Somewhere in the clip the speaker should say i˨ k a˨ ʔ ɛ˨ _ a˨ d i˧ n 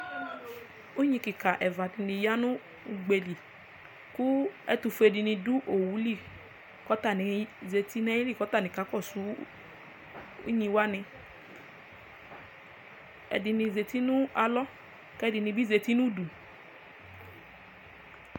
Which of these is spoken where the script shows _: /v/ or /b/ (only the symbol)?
v